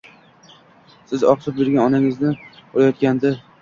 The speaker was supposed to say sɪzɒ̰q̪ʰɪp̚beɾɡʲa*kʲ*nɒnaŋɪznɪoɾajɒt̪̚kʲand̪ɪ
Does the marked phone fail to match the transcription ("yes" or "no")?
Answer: yes